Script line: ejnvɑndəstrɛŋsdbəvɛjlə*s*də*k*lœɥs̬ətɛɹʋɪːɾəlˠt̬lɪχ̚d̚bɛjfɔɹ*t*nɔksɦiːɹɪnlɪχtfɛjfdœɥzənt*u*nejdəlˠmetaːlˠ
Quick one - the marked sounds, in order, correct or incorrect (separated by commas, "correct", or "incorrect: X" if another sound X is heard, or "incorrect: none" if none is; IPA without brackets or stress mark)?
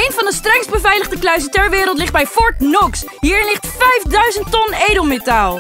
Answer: incorrect: χ, correct, correct, incorrect: ɔ